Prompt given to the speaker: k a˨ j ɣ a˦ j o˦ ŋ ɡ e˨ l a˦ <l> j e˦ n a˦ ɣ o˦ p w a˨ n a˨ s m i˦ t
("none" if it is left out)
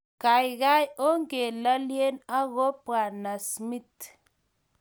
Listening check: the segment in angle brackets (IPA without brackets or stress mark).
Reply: l